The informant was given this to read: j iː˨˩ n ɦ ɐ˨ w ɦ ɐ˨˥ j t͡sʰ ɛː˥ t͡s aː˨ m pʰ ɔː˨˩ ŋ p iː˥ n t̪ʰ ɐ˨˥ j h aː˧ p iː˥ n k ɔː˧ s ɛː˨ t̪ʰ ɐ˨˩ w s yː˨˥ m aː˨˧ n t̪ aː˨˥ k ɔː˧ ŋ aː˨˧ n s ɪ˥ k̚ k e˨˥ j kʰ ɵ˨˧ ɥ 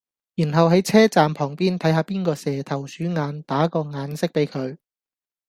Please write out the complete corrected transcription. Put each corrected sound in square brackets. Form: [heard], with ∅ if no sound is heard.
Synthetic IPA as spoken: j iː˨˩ n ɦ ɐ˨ w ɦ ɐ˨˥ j t͡sʰ ɛː˥ t͡s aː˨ m pʰ ɔː˨˩ ŋ p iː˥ n t̪ʰ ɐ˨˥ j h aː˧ p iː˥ n k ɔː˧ s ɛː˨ t̪ʰ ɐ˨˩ w s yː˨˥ [ŋ] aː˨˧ n t̪ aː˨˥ k ɔː˧ ŋ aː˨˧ n s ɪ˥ k̚ [p] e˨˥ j kʰ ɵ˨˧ ɥ